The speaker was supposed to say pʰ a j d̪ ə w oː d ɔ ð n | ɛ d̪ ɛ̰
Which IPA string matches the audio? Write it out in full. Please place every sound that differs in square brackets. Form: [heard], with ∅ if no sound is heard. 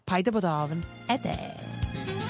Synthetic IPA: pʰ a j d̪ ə [b] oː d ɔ [v] n | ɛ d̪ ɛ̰